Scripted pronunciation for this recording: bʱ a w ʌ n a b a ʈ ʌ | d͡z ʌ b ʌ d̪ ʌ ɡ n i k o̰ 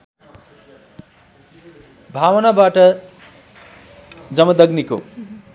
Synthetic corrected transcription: bʱ a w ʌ n a b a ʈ ʌ | d͡z ʌ m ʌ d̪ ʌ ɡ n i k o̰